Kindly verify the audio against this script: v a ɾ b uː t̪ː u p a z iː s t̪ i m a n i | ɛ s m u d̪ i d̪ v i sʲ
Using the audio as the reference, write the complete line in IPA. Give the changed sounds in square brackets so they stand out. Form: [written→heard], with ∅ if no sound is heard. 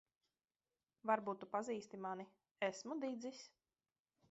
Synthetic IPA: v a ɾ b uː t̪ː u p a z iː s t̪ i m a n i | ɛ s m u d̪ i d̪ [v→z] i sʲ